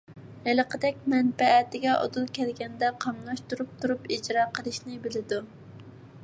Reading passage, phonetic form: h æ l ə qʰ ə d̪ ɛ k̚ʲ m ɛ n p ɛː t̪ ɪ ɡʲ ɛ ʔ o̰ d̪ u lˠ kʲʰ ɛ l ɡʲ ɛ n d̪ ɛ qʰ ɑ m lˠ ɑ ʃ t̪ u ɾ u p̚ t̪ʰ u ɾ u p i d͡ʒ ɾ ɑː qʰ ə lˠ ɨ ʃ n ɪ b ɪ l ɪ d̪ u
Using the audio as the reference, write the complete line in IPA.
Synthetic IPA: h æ l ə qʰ ə d̪ ɛ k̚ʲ m ɛ n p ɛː t̪ ɪ ɡʲ ɛ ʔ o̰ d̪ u lˠ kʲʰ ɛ l ɡʲ ɛ n d̪ ɛ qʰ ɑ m lˠ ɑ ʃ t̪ u ɾ u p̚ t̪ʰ u ɾ u p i d͡ʒ ɾ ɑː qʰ ə lˠ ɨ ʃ n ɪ b ɪ l ɪ d̪ u